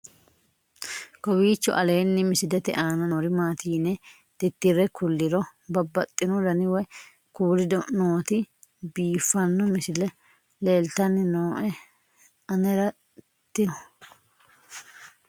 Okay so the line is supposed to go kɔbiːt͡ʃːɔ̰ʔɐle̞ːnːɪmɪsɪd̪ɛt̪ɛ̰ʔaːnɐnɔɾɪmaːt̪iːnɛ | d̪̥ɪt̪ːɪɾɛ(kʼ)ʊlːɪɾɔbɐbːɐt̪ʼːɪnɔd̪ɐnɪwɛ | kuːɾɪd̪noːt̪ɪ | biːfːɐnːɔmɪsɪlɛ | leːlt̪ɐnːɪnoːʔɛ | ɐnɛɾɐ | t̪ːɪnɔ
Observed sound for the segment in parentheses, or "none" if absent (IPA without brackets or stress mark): k